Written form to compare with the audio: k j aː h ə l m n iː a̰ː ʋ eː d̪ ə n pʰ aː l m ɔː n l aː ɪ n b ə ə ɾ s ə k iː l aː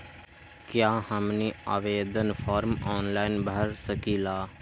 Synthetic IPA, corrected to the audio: k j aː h ə m n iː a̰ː ʋ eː d̪ ə n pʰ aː ɾ m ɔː n l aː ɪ n b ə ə ɾ s ə k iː l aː